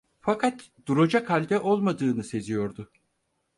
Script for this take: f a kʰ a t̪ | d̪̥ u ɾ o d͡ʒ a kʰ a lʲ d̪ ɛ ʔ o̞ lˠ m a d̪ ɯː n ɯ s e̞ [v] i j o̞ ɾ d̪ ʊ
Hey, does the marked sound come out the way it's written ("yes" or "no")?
no